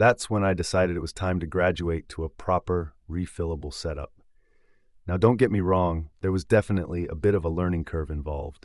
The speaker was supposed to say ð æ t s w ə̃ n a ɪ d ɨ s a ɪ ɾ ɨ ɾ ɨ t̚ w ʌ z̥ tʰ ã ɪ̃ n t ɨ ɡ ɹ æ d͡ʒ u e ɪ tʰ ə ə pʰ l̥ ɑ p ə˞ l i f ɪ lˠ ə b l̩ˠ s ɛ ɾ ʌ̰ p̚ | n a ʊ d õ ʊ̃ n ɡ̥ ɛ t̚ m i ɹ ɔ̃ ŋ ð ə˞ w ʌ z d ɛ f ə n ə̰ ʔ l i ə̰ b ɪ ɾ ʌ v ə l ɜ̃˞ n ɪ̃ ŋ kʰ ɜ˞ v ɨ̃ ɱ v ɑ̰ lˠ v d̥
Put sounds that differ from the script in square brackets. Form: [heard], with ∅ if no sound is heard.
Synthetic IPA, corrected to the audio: ð æ t s w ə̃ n a ɪ d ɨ s a ɪ ɾ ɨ ɾ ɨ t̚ w ʌ z̥ tʰ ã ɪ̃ [m] t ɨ ɡ ɹ æ d͡ʒ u e ɪ tʰ ə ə pʰ [ɹ̥] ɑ p ə˞ [ɹ] i f ɪ lˠ ə b l̩ˠ s ɛ ɾ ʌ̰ p̚ | n a ʊ d õ ʊ̃ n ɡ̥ ɛ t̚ m i ɹ ɔ̃ ŋ ð ə˞ w ʌ z d ɛ f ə n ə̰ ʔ l i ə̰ b ɪ ɾ ʌ v ə l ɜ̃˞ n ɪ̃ ŋ kʰ ɜ˞ v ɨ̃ ɱ v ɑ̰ lˠ v d̥